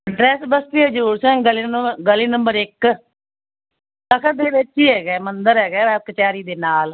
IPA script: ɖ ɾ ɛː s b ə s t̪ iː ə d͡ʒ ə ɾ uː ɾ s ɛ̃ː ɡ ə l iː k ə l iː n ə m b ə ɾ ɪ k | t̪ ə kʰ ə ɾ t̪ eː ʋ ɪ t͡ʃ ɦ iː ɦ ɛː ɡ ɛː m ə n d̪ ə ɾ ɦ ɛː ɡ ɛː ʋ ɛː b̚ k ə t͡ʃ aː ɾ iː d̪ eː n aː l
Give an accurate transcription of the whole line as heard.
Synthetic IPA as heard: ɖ ɾ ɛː s b ə s t̪ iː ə d͡ʒ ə ɾ uː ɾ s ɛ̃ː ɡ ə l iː ɡ ə l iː n ə m b ə ɾ ɪ k | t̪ ə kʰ ə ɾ d̪ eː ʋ ɪ t͡ʃ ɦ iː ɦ ɛː ɡ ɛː m ə n d̪ ə ɾ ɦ ɛː ɡ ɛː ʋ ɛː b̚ k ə t͡ʃ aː ɾ iː d̪ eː n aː l

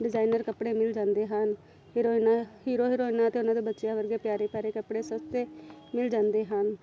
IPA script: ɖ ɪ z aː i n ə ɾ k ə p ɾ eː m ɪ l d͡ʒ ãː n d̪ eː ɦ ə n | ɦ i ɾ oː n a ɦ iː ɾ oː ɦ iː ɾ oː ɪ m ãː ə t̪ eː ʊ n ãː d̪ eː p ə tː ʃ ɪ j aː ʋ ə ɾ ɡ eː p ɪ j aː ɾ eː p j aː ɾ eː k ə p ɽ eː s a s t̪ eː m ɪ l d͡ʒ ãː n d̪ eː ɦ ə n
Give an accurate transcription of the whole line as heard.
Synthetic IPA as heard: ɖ ɪ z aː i n ə ɾ k ə p ɽ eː m ɪ l d͡ʒ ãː n d̪ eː ɦ ə n | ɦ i ɾ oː n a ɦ iː ɾ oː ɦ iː ɾ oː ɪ n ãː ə t̪ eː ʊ n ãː d̪ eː b ə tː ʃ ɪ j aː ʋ ə ɾ ɡ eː p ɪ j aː ɾ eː p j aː ɾ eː k ə p ɽ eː s ə s t̪ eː m ɪ l d͡ʒ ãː n d̪ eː ɦ ə n

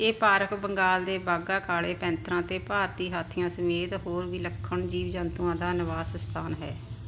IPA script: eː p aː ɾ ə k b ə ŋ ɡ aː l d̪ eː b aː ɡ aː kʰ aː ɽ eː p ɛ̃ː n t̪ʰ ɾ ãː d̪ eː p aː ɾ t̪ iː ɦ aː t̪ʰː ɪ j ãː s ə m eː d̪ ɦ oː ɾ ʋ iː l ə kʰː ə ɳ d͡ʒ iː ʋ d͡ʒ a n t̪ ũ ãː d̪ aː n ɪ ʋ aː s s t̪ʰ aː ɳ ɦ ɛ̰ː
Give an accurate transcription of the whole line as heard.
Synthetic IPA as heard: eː p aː ɾ ə k b ə ŋ ɡ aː l d̪ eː b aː ɡ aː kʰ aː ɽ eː p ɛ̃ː n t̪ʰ ɾ ãː t̪ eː p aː ɾ t̪ iː ɦ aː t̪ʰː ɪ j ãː s ə m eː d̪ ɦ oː ɾ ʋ iː l ə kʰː ə ɳ d͡ʒ iː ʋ d͡ʒ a n t̪ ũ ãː d̪ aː n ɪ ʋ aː s s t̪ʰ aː n ɦ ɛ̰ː

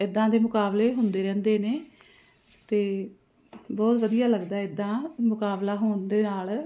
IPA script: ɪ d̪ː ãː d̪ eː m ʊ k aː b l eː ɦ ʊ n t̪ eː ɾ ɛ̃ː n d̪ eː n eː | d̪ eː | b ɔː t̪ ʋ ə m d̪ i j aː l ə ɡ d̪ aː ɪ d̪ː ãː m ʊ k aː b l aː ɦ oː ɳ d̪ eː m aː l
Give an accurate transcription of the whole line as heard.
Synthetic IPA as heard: ɪ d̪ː ãː d̪ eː m ʊ k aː b l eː ɦ ʊ n d̪ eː ɾ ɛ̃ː n d̪ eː n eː | t̪ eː | b ɔː t̪ ʋ ə d̪ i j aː l ə ɡ d̪ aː ɪ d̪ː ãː m ʊ k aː b l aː ɦ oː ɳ d̪ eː n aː l

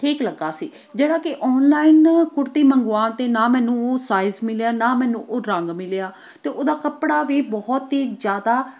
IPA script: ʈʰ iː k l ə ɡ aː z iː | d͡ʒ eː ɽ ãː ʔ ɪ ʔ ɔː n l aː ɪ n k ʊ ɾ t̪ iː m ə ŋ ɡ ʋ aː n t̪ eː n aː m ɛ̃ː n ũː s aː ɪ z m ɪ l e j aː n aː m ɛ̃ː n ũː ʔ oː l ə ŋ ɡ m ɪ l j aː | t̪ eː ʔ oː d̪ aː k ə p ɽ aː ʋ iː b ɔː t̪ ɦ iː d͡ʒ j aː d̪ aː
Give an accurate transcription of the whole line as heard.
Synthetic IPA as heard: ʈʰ iː k l ə ɡ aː s iː | d͡ʒ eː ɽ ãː k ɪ ʔ ɔː n l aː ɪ n k ʊ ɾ t̪ iː m ə ŋ ɡ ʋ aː n t̪ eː n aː m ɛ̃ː n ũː s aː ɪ z m ɪ l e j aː n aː m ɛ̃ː n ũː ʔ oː ɾ ə ŋ ɡ m ɪ l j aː | t̪ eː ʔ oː d̪ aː k ə p ɽ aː ʋ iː b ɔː t̪ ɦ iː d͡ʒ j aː d̪ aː

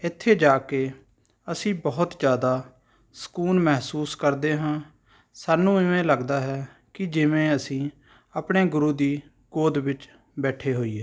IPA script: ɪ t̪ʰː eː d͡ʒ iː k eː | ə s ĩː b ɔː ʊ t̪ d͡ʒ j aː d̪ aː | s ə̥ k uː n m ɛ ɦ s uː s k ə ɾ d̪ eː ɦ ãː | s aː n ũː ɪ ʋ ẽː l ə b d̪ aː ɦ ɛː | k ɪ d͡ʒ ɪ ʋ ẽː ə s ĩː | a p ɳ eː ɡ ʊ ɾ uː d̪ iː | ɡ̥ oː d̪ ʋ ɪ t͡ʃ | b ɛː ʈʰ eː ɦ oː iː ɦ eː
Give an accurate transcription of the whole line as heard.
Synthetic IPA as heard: ɪ t̪ʰː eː d͡ʒ aː k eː | ə s ĩː b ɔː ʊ t̪ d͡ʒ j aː d̪ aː | s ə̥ k uː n m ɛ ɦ s uː s k ə ɾ d̪ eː ɦ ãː | s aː n ũː ɪ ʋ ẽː l ə ɡ d̪ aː ɦ ɛː | k ɪ d͡ʒ ɪ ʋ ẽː ə s ĩː | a p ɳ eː ɡ ʊ ɾ uː d̪ iː | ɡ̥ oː d̪ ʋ ɪ t͡ʃ | b ɛː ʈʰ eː ɦ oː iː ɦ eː

